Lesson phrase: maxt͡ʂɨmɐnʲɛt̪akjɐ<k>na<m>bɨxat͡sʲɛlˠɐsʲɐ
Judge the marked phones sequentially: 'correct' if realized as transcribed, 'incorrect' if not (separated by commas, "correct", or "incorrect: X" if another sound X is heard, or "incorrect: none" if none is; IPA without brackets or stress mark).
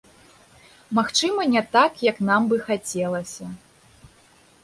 correct, correct